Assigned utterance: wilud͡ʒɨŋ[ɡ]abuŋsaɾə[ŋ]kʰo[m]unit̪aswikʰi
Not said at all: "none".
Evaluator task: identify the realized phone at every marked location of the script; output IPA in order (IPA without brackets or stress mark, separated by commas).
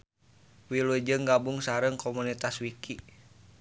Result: ɡ, ŋ, m